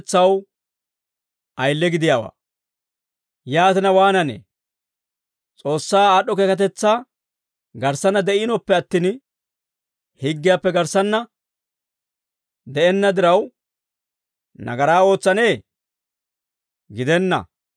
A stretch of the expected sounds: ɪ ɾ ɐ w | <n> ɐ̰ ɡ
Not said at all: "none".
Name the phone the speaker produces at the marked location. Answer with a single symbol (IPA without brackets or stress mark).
n